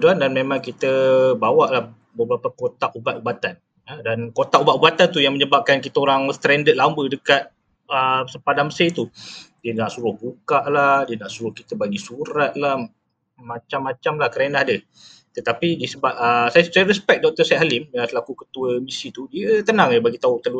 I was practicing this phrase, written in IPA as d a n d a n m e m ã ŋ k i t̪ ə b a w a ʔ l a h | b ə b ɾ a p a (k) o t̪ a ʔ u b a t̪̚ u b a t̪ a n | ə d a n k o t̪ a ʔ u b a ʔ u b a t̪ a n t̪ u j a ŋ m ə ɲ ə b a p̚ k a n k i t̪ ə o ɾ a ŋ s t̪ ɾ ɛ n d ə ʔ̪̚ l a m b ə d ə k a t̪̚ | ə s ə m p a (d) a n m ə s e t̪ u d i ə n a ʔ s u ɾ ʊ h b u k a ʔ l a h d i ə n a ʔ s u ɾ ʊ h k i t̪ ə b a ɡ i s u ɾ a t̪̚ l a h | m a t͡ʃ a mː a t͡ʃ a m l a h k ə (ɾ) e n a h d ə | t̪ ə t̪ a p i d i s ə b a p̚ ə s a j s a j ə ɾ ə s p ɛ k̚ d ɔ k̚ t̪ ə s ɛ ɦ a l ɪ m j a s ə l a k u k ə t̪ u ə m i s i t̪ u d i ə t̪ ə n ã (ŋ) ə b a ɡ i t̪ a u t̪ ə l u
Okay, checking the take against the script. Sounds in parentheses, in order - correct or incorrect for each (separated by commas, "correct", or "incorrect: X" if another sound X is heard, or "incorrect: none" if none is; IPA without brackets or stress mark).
correct, correct, correct, correct